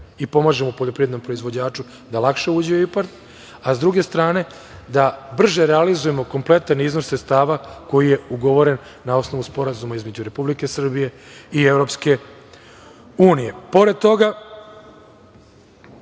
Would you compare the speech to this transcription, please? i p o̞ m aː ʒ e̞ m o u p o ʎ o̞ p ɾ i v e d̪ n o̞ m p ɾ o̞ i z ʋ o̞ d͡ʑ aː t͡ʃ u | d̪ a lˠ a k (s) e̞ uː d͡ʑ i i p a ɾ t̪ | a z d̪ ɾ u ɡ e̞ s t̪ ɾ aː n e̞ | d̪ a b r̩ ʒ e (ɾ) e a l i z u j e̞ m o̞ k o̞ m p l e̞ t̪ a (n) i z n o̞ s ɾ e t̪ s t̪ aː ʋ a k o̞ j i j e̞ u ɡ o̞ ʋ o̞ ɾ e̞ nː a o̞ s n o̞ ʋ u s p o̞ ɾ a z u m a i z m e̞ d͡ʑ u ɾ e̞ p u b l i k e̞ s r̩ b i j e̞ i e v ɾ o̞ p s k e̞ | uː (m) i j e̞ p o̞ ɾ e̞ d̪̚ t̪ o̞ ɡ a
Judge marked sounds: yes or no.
no, yes, yes, no

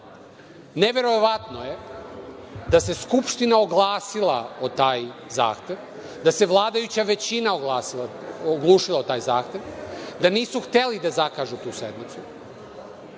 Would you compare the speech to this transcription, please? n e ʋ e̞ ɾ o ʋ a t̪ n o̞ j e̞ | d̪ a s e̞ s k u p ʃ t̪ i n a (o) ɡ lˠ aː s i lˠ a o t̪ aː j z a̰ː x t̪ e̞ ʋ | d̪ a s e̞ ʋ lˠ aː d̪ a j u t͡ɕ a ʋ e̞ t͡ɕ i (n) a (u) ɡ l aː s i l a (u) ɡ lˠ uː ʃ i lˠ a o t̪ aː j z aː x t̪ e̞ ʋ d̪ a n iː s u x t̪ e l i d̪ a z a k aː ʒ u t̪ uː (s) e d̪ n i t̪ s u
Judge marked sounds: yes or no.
yes, yes, no, no, yes

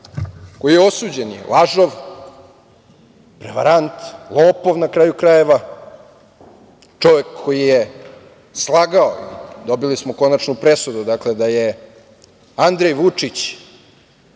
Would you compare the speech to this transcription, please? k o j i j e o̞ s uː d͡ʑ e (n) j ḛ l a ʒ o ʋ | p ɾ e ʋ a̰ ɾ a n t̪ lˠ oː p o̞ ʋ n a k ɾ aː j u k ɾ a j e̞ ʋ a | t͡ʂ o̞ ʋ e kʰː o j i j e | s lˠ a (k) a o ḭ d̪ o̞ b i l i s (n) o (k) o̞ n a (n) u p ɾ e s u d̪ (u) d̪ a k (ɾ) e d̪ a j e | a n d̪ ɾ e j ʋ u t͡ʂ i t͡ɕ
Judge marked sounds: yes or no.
yes, no, no, yes, yes, yes, no

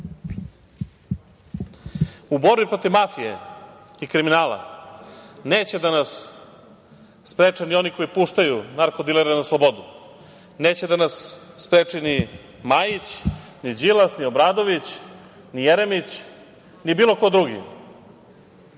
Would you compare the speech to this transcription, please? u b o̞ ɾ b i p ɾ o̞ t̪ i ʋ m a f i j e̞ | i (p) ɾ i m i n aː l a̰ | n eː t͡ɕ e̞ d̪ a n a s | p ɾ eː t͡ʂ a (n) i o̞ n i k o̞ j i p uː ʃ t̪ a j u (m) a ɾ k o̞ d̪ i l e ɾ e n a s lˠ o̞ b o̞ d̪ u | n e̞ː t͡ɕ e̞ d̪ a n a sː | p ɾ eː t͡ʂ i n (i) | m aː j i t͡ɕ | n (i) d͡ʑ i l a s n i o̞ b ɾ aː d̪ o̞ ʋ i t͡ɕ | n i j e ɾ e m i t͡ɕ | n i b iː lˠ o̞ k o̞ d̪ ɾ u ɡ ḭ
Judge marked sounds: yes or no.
no, yes, no, yes, yes

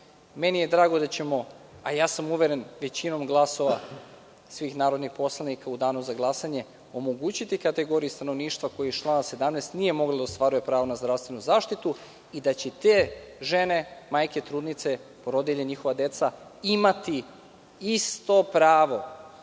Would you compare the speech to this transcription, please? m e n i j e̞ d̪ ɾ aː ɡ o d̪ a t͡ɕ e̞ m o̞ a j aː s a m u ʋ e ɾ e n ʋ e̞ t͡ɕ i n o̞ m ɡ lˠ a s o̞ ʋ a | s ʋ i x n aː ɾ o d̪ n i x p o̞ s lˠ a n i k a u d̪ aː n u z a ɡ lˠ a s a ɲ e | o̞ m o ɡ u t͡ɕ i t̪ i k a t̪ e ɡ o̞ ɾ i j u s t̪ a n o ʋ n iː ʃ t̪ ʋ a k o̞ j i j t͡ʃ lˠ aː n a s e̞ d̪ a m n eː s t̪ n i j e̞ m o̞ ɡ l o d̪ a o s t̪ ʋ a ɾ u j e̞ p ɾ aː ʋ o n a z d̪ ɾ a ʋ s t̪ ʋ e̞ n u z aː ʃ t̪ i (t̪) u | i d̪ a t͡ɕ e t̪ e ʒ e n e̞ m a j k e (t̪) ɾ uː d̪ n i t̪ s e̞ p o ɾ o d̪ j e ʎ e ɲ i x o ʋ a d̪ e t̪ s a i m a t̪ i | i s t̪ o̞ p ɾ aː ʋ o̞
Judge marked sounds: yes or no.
yes, yes

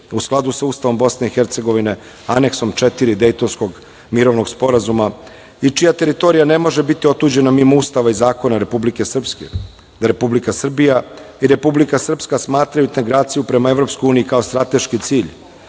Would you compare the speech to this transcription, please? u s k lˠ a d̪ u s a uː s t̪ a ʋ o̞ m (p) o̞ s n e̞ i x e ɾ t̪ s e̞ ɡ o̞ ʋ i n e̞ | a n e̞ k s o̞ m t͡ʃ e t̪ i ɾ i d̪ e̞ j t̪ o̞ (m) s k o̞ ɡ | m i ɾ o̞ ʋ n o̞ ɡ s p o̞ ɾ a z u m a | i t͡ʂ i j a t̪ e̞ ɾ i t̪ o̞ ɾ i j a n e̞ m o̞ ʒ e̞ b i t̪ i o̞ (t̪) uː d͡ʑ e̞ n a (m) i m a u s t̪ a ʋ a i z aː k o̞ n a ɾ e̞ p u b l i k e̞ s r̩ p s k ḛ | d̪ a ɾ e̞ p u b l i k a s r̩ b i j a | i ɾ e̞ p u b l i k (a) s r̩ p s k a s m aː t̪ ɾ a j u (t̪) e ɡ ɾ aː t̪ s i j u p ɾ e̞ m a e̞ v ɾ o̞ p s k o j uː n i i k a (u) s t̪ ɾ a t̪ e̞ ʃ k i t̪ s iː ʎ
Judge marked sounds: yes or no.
no, no, yes, yes, yes, yes, no

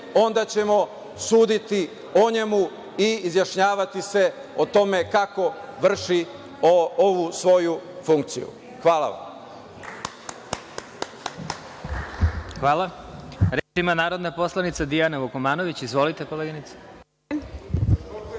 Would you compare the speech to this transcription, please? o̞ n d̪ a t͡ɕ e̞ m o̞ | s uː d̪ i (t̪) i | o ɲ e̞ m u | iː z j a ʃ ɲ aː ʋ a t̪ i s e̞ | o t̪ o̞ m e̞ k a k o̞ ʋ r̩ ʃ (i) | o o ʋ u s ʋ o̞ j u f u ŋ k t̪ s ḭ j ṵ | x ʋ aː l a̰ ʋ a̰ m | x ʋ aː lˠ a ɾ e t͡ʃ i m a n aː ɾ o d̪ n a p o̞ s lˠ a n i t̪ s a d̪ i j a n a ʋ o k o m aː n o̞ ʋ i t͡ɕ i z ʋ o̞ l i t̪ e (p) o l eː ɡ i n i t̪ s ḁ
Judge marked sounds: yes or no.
yes, yes, no

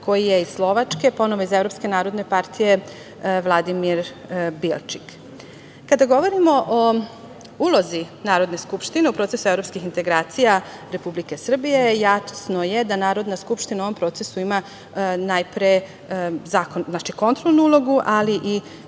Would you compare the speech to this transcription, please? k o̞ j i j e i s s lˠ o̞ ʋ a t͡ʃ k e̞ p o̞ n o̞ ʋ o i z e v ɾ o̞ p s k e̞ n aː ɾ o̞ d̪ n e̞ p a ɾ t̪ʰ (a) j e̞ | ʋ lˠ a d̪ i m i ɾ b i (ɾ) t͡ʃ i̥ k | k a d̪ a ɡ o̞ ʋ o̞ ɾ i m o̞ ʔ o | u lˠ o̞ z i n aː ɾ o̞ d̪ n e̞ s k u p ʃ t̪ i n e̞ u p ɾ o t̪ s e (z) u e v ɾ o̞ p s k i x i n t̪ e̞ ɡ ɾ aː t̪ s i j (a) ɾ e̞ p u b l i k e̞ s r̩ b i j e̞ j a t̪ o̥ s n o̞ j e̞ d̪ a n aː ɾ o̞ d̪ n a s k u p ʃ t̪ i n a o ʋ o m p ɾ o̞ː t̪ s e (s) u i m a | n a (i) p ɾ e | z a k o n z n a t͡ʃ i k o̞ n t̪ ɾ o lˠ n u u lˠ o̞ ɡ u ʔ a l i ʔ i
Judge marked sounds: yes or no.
no, no, no, yes, yes, no

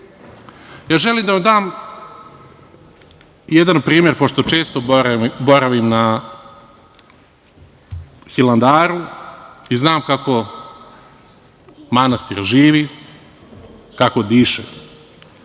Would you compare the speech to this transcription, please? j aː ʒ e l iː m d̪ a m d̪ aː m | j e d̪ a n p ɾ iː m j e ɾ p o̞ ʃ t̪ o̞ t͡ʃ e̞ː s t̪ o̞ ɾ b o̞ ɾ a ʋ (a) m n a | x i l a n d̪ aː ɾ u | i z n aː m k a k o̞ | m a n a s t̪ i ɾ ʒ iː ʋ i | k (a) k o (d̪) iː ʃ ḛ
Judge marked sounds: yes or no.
no, yes, yes

